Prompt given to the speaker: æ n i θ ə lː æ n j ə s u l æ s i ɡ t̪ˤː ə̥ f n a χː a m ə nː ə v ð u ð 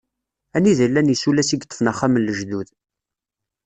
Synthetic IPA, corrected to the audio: æ n i ð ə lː æ n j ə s u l æ s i ɡ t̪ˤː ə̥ f n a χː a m ə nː ə ʒ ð u ð